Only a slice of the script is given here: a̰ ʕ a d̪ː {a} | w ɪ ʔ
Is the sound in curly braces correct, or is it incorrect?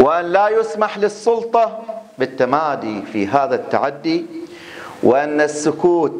incorrect: i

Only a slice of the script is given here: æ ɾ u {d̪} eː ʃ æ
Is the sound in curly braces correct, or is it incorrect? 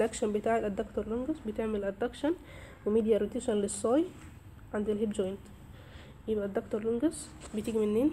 incorrect: t̪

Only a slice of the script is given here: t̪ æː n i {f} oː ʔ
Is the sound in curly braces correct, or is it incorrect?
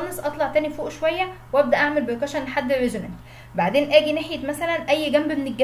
correct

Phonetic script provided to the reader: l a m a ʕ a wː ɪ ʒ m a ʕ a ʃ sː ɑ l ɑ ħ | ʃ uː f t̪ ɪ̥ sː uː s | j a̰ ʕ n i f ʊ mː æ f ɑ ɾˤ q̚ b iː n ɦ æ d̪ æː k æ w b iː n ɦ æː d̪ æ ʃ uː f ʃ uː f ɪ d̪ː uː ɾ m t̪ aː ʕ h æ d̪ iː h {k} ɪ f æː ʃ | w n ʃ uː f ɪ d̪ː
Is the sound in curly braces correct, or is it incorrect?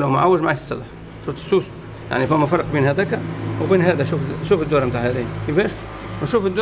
correct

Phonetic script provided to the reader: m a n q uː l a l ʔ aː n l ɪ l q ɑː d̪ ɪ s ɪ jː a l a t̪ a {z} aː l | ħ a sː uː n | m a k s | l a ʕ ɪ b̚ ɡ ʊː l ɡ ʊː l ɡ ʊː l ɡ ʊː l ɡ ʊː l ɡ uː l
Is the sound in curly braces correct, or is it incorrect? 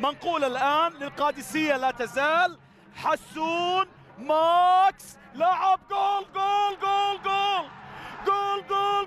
correct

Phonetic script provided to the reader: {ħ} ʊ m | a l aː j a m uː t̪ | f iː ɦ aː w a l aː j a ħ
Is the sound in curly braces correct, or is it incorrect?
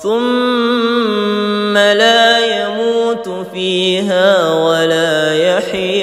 incorrect: θ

